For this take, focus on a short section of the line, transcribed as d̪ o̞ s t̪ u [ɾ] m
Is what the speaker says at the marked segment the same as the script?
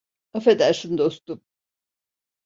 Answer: no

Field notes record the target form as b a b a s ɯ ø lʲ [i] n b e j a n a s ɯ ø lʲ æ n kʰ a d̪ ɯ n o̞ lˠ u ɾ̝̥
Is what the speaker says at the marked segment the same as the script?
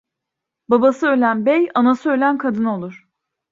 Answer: no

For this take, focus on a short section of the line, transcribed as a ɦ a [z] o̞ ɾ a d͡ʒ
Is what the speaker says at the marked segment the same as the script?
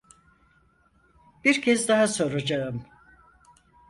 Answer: no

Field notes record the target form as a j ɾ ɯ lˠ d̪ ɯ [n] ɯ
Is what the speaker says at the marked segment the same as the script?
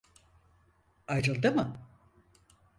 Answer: no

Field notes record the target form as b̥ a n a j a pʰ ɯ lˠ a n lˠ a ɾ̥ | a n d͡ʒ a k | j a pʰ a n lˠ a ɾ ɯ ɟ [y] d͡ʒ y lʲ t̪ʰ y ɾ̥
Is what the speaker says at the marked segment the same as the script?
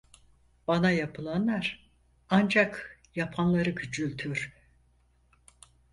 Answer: yes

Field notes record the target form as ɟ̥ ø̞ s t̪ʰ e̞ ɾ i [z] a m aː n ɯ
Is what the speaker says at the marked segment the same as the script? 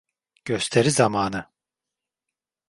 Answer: yes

